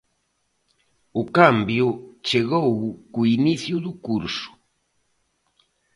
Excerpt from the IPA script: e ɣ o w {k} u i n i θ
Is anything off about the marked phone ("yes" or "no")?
no